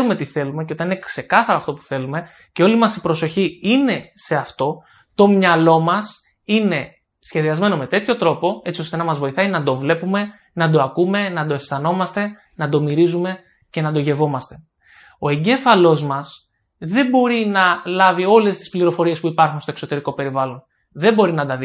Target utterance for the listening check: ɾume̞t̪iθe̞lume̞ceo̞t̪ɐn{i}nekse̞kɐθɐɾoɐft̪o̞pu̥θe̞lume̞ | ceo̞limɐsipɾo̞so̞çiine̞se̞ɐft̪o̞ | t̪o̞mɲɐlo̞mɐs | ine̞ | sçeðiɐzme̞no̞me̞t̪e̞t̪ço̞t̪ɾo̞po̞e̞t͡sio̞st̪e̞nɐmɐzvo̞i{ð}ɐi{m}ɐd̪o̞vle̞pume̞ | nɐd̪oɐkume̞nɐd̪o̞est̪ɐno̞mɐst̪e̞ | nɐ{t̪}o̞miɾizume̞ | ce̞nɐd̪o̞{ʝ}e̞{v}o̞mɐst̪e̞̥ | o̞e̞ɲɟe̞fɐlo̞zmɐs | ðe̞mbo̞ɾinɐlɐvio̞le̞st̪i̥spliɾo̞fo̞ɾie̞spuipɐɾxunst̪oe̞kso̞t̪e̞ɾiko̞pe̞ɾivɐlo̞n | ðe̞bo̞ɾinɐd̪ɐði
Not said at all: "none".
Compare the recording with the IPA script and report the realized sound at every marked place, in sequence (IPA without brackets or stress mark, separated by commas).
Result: i, θ, n, d̪, ʝ, v